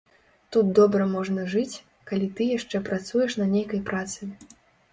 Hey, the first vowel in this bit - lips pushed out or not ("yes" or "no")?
yes